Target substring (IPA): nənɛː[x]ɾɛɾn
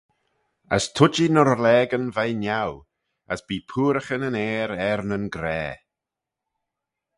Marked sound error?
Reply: yes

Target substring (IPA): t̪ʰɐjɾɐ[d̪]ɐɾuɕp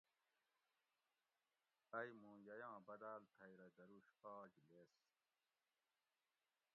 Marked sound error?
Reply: no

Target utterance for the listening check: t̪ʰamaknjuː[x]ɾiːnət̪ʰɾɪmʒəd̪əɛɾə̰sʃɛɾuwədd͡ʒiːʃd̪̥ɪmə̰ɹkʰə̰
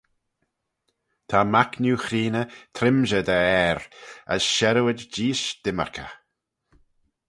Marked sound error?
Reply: no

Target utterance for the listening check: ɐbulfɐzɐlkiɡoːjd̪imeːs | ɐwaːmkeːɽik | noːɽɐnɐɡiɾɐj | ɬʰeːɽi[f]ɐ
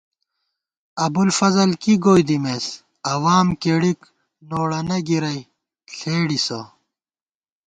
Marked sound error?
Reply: yes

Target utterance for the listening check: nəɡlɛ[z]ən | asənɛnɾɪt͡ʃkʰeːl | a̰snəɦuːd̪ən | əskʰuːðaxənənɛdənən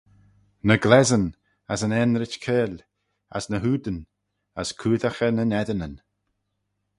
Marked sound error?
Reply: no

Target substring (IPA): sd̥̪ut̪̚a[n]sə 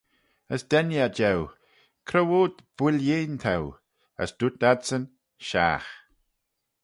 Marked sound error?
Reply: yes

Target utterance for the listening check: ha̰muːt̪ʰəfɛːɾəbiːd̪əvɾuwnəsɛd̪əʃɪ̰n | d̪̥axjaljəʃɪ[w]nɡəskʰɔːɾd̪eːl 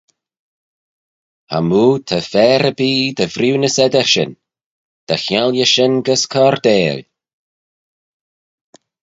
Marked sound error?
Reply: yes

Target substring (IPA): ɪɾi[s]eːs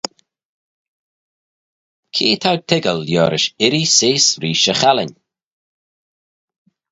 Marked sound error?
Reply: no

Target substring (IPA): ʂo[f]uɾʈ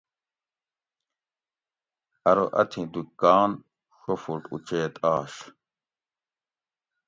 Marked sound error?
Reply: no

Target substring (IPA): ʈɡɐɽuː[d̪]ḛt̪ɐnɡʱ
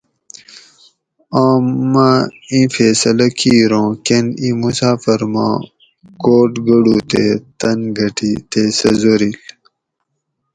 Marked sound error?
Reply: yes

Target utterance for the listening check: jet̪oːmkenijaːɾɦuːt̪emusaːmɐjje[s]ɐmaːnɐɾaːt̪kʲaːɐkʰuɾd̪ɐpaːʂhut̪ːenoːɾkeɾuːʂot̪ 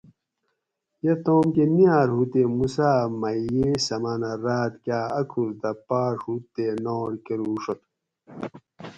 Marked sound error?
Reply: no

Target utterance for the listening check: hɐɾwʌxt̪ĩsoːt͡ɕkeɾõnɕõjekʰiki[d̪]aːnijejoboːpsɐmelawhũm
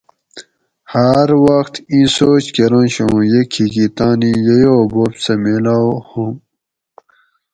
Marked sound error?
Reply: yes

